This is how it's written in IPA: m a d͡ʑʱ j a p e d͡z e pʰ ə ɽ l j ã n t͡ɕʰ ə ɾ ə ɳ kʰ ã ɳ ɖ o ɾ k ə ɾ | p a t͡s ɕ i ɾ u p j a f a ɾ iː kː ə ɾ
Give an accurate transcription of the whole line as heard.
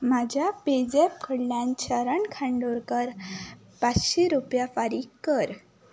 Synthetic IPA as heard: m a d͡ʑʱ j a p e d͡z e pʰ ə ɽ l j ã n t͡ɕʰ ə ɾ ə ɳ kʰ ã ɳ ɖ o ɾ k ə ɾ | p a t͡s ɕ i ɾ u p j a f a ɾ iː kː ə ɾ